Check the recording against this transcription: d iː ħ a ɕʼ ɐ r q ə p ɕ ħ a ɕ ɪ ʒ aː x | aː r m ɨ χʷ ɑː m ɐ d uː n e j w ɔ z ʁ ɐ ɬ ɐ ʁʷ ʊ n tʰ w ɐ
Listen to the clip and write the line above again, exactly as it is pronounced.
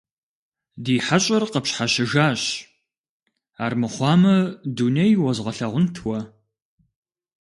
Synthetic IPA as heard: d iː ħ a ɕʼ ɐ r q ə p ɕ ħ a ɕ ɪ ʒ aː ɕ | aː r m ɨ χʷ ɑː m ɐ d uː n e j w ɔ z ʁ ɐ ɬ ɐ ʁʷ ʊ n tʰ w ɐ